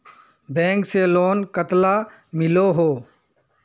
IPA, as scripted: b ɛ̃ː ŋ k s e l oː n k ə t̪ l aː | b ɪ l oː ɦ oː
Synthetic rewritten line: b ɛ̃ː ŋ k s e l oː n k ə t̪ l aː | m ɪ l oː ɦ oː